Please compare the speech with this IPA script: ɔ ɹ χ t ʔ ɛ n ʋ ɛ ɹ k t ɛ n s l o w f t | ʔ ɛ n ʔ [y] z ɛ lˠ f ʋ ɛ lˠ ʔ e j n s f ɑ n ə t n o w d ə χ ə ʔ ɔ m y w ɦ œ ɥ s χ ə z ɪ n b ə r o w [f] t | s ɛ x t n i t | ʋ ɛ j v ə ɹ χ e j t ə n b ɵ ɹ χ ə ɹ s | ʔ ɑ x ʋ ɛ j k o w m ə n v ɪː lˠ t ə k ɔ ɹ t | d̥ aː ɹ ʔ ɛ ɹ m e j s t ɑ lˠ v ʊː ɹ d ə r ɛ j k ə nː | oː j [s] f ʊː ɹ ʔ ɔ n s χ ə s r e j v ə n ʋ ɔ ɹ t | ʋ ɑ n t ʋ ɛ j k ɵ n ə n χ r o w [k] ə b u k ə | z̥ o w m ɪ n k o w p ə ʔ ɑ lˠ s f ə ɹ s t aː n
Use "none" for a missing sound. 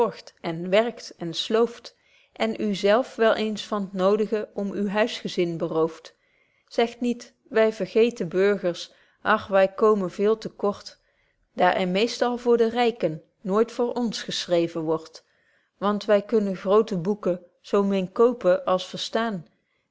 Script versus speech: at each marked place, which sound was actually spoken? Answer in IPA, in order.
y, f, t, t

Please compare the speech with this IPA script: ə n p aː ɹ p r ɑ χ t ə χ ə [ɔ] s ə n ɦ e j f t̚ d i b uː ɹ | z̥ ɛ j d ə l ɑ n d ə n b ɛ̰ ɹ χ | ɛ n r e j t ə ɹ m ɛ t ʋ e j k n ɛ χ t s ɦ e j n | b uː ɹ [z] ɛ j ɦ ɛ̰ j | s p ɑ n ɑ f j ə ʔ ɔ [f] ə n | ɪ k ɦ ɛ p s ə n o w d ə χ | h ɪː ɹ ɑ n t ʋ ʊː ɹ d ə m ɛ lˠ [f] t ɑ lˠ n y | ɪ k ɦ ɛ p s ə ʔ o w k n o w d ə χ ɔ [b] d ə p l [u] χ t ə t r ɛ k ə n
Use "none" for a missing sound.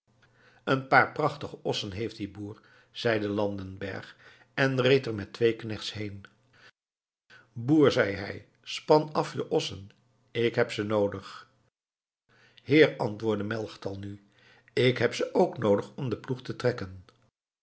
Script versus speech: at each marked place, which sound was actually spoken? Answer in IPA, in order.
ɔ, z, s, χ, m, u

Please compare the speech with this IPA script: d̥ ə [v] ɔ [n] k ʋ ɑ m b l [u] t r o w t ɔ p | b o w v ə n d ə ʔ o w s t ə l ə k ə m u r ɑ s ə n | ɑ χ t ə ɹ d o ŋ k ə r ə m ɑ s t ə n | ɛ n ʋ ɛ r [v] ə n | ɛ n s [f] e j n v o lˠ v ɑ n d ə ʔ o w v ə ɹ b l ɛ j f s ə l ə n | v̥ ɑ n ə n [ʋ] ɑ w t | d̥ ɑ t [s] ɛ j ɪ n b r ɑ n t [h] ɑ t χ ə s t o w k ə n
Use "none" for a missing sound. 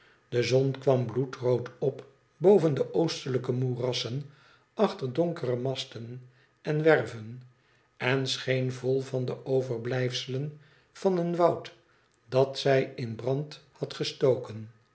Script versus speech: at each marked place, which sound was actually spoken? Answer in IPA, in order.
z, n, u, v, χ, ʋ, s, h

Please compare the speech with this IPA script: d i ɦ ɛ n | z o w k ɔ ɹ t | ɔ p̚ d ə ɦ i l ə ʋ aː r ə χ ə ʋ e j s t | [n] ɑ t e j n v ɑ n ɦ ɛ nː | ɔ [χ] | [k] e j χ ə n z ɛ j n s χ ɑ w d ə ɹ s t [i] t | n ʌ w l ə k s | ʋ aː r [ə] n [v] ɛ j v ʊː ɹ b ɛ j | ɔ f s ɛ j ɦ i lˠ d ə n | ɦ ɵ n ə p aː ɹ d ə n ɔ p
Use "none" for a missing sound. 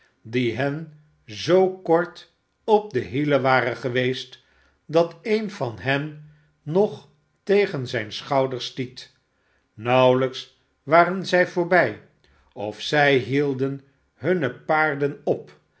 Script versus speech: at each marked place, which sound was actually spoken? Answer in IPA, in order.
d, χ, t, i, ə, z

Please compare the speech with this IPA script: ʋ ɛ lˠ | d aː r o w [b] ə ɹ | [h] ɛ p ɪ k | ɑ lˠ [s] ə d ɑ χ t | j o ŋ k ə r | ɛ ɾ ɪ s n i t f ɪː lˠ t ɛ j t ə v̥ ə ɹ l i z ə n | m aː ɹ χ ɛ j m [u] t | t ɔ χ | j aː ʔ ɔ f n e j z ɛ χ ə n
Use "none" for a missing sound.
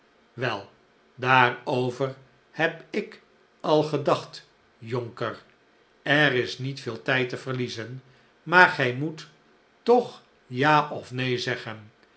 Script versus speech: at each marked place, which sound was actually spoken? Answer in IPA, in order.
v, h, χ, u

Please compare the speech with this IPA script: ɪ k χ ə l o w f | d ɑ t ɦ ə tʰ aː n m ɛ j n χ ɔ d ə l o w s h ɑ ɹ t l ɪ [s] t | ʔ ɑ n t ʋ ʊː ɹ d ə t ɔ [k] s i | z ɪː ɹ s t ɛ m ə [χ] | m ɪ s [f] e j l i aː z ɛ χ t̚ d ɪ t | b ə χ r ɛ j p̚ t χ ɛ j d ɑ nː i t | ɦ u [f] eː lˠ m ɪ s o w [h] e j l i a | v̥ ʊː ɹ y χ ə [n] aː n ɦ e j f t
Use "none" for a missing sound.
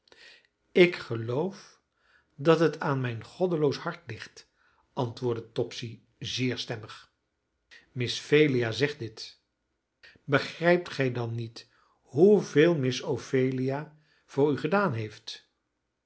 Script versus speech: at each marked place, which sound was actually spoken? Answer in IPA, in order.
χ, p, χ, f, v, f, d

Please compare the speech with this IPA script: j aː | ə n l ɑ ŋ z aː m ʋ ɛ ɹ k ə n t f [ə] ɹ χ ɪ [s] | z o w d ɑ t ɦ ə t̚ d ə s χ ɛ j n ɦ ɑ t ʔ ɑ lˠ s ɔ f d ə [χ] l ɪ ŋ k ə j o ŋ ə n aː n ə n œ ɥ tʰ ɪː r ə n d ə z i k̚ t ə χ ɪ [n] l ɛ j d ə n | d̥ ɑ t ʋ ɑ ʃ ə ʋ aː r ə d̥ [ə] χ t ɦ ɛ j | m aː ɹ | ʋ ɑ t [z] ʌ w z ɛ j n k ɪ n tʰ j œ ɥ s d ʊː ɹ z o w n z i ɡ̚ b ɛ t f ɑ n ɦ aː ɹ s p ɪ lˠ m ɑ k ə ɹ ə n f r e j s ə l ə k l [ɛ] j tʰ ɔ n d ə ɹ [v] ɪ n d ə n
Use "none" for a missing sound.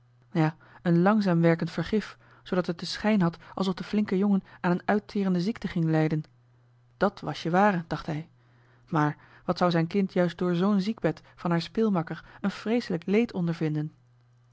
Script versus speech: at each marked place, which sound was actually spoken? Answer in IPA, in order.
ə, f, f, ŋ, ɑ, s, e, v

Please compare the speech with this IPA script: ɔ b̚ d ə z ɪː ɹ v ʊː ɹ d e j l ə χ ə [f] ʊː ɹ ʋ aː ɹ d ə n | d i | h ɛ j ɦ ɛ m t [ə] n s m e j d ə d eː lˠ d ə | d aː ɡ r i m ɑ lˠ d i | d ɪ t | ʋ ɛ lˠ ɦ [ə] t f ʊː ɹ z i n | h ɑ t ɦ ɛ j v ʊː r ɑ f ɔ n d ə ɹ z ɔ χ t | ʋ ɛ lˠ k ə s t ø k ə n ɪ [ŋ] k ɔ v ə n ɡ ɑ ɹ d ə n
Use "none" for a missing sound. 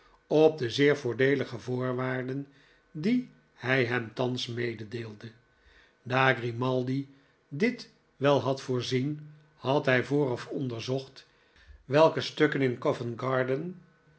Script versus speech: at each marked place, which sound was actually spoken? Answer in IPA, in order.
v, ɑ, ɑ, n

